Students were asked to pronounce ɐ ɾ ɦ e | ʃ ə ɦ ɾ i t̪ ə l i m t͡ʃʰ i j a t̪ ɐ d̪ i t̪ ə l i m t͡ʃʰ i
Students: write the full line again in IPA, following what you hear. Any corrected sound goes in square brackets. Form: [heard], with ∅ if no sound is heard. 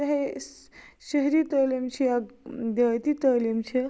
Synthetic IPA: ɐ [∅] ɦ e | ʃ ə ɦ ɾ i t̪ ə l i m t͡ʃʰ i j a [d̪] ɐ [t̪] i t̪ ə l i m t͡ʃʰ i